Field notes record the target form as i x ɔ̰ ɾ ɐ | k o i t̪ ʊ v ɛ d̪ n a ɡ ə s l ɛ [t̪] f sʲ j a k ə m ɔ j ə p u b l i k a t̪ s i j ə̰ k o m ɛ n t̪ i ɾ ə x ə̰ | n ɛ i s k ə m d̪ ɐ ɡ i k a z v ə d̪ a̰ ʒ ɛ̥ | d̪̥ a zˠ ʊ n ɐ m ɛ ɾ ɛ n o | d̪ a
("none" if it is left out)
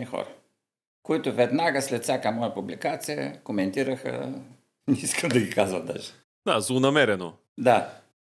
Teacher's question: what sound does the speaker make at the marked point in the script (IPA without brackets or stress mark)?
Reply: t̪